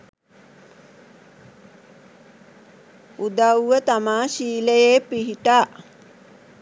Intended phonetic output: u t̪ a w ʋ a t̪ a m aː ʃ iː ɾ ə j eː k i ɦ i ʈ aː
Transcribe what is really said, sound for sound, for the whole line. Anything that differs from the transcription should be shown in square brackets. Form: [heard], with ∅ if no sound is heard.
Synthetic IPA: u [d̪] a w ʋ [ə] t̪ a m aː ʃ iː [l] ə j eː [p] i ɦ i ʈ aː